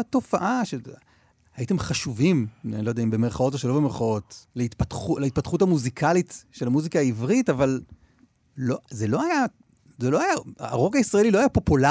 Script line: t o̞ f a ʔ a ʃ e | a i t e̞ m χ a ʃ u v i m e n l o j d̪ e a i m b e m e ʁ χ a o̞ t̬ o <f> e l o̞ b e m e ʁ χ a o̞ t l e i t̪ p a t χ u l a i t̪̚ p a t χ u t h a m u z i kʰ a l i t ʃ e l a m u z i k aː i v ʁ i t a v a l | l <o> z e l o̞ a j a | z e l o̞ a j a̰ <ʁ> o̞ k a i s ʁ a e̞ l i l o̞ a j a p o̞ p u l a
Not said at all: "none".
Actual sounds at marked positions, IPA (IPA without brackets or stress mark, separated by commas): ʃ, o, ʁ